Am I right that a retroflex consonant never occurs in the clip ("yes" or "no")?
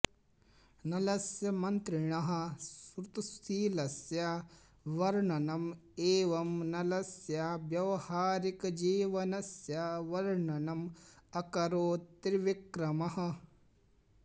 no